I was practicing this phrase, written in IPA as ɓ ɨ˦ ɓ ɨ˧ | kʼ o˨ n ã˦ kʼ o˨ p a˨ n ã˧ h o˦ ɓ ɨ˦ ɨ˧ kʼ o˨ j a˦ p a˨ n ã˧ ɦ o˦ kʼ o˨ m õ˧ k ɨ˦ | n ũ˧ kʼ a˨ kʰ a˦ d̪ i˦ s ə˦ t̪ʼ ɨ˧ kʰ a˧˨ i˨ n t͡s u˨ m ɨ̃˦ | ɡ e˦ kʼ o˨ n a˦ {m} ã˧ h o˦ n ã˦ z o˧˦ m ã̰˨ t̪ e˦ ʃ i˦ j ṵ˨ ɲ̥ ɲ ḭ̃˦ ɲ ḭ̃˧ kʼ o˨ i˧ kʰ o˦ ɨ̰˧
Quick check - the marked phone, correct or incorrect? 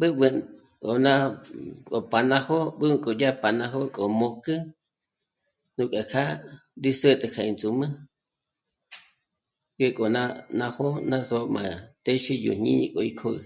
incorrect